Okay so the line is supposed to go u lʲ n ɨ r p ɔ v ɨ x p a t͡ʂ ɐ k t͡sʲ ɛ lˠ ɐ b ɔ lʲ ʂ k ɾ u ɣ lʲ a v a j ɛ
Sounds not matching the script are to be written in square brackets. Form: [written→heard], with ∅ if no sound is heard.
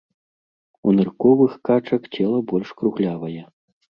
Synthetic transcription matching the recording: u [lʲ→∅] n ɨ r [p→k] ɔ v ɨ x [p→k] a t͡ʂ ɐ k t͡sʲ ɛ lˠ ɐ b ɔ lʲ ʂ k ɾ u ɣ lʲ a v [a→ɐ] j ɛ